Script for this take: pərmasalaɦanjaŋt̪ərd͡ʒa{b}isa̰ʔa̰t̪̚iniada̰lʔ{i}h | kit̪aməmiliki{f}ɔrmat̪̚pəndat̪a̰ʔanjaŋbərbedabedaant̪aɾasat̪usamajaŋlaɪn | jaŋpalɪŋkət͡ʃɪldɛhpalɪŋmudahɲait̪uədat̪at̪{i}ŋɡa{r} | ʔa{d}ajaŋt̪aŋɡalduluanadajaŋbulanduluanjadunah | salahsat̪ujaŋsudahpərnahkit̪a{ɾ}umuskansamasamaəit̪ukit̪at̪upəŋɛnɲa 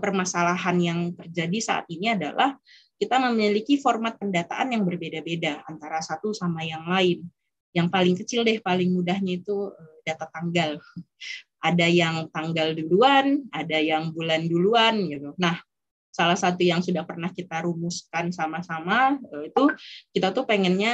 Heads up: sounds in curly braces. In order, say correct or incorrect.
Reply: incorrect: d, incorrect: a, correct, incorrect: a, incorrect: l, correct, correct

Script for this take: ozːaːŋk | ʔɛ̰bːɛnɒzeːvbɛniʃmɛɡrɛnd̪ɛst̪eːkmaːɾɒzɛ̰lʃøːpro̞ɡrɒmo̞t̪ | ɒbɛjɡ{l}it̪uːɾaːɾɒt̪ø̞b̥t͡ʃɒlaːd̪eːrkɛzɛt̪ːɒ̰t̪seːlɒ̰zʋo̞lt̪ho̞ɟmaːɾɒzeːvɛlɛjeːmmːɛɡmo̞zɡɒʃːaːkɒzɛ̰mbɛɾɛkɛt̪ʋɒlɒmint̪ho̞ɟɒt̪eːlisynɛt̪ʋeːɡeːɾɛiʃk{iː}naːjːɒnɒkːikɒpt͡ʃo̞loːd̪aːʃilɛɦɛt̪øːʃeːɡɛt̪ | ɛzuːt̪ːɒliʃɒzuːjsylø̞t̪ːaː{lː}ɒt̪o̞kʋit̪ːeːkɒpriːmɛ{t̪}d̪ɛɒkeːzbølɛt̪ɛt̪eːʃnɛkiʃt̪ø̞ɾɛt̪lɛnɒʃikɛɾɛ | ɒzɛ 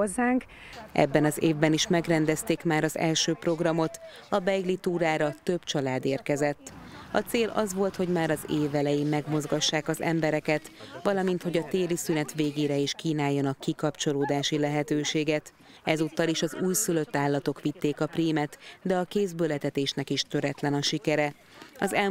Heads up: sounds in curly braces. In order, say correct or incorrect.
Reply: correct, correct, correct, correct

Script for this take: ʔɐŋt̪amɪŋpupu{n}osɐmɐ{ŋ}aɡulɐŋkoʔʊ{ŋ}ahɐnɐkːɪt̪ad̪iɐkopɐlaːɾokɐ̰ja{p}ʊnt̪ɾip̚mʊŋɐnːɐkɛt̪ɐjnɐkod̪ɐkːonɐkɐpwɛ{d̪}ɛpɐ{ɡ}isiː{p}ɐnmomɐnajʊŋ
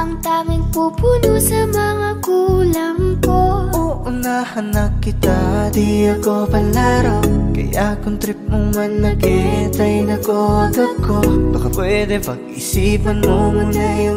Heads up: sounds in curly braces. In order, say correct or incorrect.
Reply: correct, correct, incorrect: n, incorrect: k, correct, correct, correct

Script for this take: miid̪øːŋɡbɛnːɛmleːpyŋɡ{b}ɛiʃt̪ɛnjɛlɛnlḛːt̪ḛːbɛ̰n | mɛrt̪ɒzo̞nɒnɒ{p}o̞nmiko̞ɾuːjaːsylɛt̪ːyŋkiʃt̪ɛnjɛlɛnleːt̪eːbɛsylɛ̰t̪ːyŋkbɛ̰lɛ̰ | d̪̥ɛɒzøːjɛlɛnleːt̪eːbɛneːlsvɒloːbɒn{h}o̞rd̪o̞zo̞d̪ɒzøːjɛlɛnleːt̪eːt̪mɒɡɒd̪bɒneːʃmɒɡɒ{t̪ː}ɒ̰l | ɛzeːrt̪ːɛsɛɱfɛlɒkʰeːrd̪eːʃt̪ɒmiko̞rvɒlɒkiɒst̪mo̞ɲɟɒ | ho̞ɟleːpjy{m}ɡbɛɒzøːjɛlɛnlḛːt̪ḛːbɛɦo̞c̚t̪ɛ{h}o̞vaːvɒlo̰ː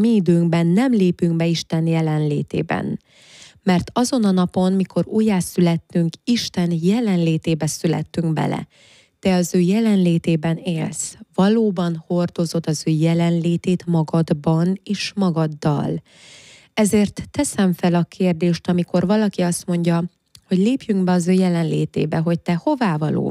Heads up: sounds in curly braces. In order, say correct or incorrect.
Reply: correct, correct, correct, incorrect: d̪ː, incorrect: ŋ, correct

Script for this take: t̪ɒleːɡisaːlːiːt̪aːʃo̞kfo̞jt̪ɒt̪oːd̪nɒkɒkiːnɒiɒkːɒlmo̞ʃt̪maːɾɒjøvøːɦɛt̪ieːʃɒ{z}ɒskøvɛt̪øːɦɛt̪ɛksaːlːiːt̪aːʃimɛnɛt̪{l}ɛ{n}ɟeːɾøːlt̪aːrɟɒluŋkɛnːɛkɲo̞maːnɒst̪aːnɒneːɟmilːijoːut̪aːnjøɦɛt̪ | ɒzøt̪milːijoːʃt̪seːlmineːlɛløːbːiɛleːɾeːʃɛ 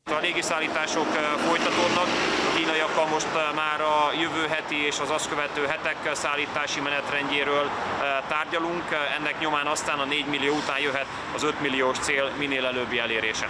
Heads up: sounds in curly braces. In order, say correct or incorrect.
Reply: correct, incorrect: r, incorrect: ɲ

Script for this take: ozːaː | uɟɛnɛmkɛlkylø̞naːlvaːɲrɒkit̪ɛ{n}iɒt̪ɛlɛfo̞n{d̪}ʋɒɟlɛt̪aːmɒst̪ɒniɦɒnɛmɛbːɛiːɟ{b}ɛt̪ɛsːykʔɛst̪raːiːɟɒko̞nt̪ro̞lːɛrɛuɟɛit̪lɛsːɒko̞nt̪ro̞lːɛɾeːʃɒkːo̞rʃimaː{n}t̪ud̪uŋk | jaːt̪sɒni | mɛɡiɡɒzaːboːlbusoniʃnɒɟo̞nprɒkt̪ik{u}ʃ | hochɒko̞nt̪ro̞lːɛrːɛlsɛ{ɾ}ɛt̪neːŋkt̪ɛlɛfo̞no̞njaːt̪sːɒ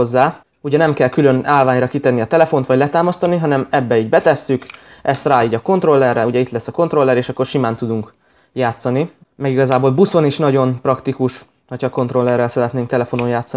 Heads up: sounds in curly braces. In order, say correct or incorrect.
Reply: incorrect: nː, incorrect: t̪, correct, correct, correct, correct

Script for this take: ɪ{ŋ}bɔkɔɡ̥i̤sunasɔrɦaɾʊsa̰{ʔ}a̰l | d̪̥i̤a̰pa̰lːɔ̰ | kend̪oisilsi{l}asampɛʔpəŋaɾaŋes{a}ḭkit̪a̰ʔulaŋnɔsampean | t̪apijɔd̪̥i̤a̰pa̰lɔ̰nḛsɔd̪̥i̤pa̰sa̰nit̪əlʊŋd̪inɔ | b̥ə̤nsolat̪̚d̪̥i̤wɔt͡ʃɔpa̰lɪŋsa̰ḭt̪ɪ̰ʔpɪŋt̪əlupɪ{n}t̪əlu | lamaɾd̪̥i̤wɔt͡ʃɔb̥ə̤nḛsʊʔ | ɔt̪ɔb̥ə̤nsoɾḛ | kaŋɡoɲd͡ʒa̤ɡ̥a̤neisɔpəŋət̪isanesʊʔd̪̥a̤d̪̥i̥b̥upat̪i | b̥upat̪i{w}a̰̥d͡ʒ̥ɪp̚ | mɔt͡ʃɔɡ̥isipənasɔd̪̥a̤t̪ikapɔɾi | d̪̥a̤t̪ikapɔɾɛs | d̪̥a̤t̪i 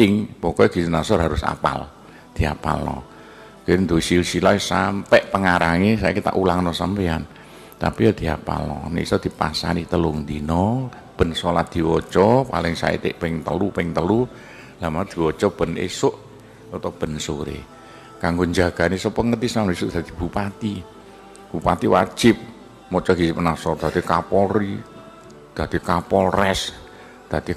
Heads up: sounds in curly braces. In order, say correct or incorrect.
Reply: correct, incorrect: p, correct, correct, incorrect: ŋ, correct

